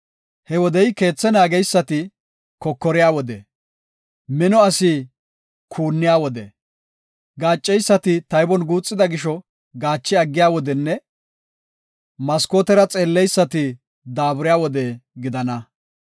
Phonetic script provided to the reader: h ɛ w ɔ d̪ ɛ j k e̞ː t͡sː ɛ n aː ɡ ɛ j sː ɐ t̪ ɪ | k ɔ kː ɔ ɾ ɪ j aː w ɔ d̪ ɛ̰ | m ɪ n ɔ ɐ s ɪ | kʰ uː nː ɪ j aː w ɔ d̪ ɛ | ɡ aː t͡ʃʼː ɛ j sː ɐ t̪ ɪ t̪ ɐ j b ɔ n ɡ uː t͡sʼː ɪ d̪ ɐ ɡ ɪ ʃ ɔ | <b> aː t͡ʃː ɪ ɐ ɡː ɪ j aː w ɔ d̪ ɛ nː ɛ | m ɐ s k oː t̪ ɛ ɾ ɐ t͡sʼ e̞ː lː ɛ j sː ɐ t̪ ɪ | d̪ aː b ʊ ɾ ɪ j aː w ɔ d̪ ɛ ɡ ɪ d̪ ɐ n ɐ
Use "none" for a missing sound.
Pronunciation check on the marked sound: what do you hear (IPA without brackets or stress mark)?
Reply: ɡ